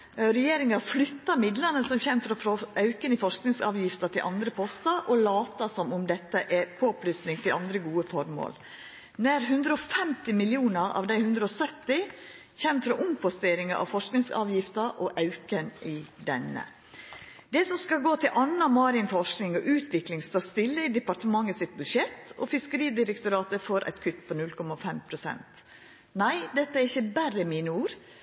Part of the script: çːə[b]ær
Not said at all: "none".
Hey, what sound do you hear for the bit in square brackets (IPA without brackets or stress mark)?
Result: b